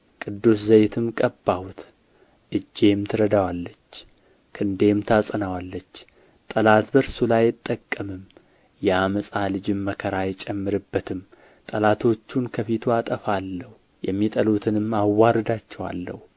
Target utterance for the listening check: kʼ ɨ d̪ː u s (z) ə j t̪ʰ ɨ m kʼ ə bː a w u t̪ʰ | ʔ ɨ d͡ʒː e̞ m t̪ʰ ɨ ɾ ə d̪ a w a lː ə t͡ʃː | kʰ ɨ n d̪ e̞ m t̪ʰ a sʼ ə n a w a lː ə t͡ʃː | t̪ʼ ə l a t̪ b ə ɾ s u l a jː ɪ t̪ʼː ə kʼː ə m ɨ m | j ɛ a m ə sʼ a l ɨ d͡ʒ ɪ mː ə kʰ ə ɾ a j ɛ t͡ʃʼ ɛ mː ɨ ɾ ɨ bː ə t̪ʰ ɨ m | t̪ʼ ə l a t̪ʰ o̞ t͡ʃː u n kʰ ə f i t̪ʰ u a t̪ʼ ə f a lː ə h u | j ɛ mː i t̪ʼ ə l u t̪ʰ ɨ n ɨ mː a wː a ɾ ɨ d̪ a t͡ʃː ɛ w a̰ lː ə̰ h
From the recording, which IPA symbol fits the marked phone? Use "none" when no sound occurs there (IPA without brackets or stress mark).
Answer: z